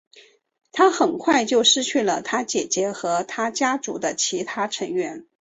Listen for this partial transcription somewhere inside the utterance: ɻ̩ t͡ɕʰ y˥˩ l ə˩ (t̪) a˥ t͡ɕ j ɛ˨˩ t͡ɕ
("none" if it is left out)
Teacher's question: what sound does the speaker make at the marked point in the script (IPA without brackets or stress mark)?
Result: t̪ʰ